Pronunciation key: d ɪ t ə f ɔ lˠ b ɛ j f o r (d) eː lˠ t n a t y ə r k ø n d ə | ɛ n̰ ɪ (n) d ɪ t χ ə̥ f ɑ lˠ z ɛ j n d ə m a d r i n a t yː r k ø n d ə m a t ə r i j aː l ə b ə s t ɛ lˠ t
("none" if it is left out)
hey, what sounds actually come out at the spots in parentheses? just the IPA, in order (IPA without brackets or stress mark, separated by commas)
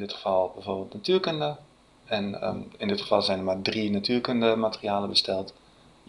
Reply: b, n